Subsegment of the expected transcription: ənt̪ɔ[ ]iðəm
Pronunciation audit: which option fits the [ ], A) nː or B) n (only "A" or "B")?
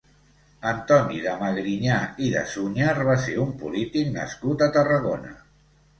B